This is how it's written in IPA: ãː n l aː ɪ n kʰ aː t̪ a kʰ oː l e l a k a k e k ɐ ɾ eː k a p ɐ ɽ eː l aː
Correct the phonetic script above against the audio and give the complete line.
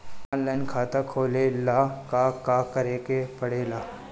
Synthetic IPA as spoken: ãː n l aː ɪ n kʰ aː t̪ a kʰ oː l e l a k a k a k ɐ ɾ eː k e p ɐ ɽ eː l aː